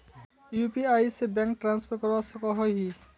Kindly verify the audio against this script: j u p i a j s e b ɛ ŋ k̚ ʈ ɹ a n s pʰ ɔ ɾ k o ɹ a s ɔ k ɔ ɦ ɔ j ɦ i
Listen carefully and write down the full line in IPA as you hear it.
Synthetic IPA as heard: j u p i a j s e b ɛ ŋ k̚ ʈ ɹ a n s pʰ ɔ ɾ k ɔ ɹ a s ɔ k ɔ ɦ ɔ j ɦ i